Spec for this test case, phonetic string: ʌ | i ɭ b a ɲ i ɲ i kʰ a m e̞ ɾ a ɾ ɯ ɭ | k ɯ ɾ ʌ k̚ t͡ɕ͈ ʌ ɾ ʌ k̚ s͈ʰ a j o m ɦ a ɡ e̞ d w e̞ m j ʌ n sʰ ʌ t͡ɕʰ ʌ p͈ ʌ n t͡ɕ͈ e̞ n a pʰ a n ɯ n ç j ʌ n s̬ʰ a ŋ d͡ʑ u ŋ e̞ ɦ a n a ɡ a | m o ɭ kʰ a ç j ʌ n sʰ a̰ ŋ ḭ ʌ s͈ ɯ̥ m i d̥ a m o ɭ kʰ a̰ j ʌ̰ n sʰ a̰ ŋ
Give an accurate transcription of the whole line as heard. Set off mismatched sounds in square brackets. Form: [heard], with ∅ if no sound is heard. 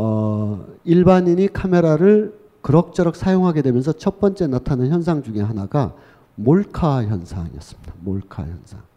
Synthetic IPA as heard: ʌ | i ɭ b a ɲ i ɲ i kʰ a m e̞ ɾ a ɾ ɯ ɭ | k ɯ ɾ ʌ k̚ t͡ɕ͈ ʌ ɾ ʌ k̚ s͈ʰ a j o [ŋ] ɦ a ɡ e̞ d w e̞ m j ʌ n sʰ ʌ t͡ɕʰ ʌ p͈ ʌ n t͡ɕ͈ e̞ n a [tʰ] a n ɯ n ç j ʌ n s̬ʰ a ŋ d͡ʑ u ŋ e̞ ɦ a n a ɡ a | m o ɭ kʰ a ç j ʌ n sʰ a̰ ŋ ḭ ʌ s͈ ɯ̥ m i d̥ a m o ɭ kʰ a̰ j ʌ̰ n sʰ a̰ ŋ